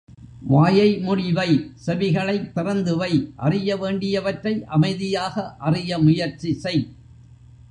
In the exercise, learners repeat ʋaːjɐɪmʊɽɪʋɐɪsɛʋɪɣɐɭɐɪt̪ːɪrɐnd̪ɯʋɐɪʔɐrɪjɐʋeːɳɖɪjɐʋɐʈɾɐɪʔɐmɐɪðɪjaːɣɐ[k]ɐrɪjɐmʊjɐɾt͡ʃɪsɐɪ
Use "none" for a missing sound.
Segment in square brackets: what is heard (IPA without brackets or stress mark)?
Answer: ʔ